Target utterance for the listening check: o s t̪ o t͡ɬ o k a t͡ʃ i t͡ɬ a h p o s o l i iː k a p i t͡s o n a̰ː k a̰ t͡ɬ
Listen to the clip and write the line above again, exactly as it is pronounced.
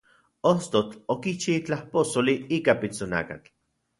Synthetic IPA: o s t̪ o t͡ɬ o k i t͡ʃ i t͡ɬ a h p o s o l i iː k a p i t͡s o n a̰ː k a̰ t͡ɬ